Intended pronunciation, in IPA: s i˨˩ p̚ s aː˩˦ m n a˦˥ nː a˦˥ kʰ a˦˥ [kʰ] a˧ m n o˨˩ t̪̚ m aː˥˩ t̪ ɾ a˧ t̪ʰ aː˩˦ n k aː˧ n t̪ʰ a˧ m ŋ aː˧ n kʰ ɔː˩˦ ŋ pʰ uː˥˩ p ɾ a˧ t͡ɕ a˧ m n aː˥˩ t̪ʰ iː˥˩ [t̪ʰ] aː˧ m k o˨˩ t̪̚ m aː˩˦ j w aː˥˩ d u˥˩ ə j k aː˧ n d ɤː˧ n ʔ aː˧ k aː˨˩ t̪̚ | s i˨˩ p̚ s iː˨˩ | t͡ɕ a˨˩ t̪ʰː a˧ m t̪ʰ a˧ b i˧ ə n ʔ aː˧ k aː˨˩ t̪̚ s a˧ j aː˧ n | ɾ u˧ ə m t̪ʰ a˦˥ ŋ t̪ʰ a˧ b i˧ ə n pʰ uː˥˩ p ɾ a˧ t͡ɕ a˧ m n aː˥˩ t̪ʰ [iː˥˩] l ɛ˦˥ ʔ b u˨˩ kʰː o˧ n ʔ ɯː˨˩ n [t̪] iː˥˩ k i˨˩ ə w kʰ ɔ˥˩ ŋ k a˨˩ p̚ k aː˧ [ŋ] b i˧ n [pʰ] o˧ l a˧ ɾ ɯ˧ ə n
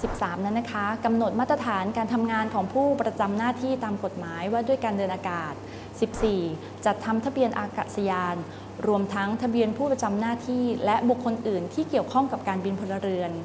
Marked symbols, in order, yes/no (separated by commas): no, no, yes, no, no, yes